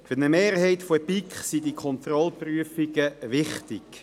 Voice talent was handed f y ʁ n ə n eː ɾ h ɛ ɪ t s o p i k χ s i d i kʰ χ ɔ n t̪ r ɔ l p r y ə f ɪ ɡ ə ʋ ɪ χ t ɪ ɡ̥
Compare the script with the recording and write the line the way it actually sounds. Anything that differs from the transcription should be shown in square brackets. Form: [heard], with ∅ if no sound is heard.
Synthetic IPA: f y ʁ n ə [m] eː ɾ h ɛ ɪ t [f] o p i k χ s i d i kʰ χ ɔ n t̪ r ɔ l p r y ə f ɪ ɡ ə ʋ ɪ χ t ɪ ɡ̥